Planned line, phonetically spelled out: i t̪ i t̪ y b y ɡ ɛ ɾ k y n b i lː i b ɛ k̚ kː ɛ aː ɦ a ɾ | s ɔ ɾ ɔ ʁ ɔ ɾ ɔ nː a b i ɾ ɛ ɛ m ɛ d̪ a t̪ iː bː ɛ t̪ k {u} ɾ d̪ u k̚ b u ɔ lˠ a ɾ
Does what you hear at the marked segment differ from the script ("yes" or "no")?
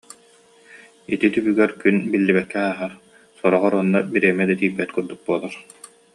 no